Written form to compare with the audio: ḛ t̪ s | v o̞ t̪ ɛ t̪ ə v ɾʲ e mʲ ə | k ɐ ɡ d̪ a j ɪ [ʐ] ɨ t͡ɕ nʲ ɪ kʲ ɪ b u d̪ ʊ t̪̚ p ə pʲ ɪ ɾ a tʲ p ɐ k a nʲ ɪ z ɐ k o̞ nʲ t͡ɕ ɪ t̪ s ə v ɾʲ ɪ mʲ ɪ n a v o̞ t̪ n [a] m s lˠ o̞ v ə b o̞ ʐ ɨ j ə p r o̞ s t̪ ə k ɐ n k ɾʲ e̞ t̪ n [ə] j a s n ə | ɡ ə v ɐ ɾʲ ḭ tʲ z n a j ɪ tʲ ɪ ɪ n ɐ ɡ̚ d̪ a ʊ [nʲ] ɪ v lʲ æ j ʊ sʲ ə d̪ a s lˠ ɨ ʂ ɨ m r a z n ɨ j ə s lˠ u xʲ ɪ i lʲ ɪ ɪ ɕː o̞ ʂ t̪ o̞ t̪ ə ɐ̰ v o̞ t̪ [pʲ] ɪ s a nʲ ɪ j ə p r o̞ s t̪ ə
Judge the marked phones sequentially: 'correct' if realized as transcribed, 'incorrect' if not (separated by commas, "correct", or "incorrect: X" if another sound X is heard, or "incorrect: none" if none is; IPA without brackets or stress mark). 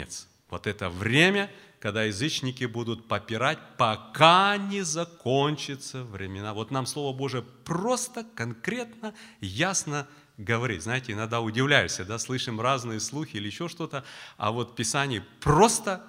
incorrect: z, correct, correct, incorrect: dʲ, correct